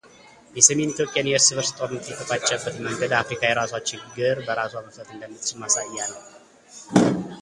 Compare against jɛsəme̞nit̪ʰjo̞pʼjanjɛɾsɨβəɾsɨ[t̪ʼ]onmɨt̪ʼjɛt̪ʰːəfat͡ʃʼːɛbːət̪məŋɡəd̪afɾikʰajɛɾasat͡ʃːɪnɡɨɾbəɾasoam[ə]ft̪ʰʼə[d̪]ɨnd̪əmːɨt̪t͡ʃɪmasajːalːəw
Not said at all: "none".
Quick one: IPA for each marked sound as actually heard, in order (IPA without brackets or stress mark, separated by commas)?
t̪ʼ, ə, t̪